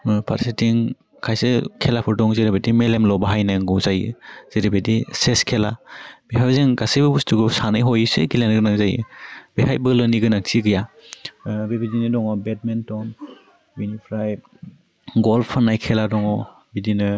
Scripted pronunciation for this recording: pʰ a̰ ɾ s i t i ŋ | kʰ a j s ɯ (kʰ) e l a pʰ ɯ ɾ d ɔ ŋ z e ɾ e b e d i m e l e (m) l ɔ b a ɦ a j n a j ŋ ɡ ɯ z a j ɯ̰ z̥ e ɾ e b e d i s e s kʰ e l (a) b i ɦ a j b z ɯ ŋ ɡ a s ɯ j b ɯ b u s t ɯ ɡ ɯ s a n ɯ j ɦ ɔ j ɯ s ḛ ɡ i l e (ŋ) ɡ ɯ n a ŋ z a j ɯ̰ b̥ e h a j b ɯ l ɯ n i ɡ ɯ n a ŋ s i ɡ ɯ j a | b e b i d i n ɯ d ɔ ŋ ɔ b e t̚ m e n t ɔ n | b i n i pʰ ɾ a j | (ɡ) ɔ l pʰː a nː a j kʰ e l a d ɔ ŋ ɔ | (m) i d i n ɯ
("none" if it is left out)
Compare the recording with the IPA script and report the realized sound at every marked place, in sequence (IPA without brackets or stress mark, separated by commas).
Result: kʰ, m, a, n, ɡ, b